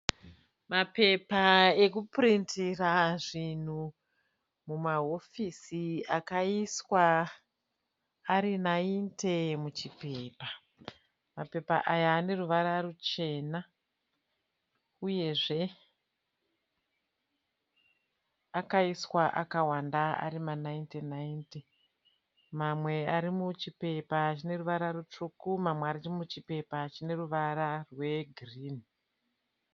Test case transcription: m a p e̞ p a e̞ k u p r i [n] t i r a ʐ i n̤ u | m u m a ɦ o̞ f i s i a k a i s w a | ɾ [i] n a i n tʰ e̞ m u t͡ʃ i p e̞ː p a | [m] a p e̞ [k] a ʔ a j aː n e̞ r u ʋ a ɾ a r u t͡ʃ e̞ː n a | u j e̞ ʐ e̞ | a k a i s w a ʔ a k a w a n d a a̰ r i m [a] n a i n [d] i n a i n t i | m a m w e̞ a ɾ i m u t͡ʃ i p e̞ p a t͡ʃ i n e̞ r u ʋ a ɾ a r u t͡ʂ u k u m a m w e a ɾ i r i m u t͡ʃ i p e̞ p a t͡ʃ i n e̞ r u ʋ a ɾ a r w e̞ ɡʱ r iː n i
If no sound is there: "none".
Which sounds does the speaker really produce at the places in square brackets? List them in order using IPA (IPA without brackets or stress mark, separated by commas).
n, i, m, p, a, t